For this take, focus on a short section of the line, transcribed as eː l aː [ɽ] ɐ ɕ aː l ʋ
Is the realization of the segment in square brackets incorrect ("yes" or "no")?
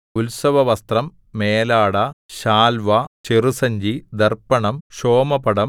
no